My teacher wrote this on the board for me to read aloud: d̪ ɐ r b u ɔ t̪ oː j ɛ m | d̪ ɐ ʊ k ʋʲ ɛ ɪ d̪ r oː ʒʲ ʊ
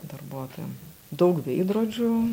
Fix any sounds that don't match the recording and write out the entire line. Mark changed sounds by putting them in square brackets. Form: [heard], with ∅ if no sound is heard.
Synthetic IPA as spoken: d̪ ɐ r b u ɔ t̪ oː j ɛ m | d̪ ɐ ʊ k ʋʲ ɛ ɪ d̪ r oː [d͡ʒʲ] ʊ